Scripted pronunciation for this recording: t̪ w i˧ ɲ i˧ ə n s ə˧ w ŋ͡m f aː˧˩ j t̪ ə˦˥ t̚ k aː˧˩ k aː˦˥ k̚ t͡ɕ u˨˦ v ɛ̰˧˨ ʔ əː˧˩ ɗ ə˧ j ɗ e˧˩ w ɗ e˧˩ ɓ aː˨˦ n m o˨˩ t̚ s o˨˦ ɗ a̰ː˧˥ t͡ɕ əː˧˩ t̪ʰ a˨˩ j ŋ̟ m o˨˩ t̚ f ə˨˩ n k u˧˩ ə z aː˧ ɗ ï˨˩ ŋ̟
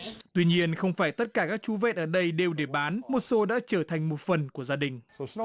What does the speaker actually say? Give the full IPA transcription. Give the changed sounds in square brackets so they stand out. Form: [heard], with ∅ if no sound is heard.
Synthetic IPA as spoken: t̪ w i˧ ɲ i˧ ə n [x] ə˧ w ŋ͡m f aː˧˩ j t̪ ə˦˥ t̚ k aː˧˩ k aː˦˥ k̚ t͡ɕ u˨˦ v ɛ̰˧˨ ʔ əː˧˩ ɗ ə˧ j ɗ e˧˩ w ɗ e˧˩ ɓ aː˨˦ n m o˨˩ t̚ s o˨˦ ɗ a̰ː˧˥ t͡ɕ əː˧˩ t̪ʰ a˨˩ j ŋ̟ m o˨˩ t̚ f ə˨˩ n k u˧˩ ə z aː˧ ɗ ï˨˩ ŋ̟